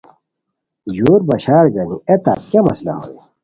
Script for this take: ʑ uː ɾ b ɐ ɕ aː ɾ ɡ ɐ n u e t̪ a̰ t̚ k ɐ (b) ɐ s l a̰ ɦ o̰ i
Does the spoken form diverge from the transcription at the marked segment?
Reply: yes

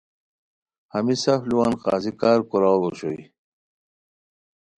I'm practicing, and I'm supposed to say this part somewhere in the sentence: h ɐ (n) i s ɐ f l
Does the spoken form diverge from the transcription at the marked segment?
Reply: yes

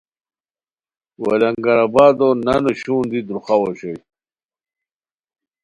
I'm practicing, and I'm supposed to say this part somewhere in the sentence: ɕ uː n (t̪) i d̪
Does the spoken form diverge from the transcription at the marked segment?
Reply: yes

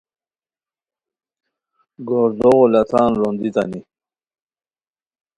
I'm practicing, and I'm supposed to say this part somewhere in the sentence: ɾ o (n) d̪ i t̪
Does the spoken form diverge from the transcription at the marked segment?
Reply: no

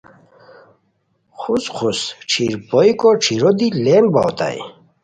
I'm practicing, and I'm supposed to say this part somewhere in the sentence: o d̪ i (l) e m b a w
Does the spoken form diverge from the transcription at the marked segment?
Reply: no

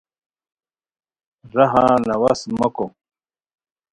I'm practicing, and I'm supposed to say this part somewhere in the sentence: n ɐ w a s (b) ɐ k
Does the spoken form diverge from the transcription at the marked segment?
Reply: yes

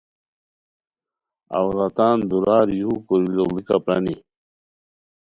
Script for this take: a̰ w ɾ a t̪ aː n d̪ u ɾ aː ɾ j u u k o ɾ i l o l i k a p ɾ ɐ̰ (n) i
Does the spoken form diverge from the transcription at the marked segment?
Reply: no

